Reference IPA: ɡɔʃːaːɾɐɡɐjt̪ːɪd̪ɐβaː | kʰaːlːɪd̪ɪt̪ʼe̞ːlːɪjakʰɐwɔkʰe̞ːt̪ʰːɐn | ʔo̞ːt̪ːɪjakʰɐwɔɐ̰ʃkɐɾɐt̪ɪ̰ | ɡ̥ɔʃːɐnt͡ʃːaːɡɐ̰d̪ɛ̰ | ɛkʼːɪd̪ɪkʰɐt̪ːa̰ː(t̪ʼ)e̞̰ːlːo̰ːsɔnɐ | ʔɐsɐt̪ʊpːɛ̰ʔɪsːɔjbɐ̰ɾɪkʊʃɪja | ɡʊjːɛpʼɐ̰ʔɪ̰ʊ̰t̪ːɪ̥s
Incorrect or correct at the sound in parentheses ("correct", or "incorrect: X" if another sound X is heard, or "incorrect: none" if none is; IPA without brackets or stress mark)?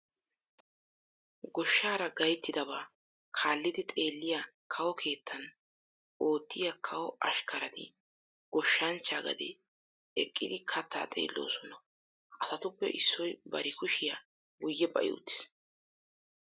correct